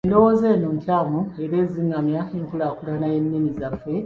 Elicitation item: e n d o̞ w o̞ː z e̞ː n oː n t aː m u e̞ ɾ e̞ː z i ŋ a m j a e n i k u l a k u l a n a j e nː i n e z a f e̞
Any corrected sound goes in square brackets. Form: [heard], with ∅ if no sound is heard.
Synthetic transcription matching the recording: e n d o̞ w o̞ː z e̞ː n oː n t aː m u e̞ ɾ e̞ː z i ŋ a m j a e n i k u l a k u l a n a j e nː i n [i] z a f e̞